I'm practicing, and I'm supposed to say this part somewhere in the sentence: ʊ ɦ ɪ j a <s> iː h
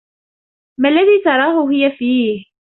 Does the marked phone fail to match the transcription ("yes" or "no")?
yes